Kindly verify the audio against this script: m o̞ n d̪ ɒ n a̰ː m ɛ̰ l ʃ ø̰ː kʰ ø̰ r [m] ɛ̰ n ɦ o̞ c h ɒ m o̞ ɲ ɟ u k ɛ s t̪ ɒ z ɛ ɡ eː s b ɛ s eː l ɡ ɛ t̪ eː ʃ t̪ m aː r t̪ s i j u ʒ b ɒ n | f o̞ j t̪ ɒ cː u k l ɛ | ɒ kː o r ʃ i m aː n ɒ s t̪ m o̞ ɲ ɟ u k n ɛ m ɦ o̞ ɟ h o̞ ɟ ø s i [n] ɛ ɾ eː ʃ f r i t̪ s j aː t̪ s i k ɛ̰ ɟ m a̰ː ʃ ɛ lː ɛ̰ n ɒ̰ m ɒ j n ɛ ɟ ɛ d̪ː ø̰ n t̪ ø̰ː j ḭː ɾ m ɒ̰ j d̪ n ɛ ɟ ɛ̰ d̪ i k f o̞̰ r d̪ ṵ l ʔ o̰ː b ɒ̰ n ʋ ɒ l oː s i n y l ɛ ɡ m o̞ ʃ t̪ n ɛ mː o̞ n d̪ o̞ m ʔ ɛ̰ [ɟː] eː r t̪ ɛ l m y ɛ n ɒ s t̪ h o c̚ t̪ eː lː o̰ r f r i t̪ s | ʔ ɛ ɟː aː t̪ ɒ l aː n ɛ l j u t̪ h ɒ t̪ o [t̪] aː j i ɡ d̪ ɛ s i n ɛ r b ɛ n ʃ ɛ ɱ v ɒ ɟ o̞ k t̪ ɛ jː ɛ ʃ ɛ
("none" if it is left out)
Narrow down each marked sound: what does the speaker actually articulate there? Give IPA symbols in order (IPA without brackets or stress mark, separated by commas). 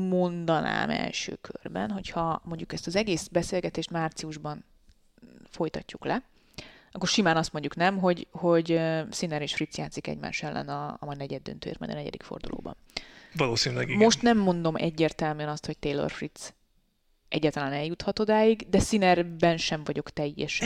b, n, ɟː, d̪